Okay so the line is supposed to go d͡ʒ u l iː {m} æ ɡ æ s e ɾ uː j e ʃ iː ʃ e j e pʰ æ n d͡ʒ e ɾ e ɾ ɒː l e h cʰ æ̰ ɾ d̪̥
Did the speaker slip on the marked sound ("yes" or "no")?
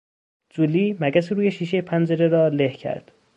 no